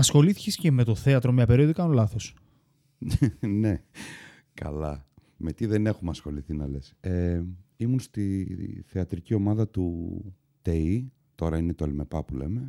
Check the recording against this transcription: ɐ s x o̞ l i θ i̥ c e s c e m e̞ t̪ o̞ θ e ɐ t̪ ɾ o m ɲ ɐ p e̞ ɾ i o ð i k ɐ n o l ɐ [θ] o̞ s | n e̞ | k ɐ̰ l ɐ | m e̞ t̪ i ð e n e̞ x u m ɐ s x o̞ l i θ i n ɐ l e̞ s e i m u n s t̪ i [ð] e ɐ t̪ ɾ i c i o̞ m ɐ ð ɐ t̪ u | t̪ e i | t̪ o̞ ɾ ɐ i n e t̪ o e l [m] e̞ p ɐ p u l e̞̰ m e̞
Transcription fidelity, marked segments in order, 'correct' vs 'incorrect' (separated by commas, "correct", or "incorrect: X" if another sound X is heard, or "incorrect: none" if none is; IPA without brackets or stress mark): correct, incorrect: θ, correct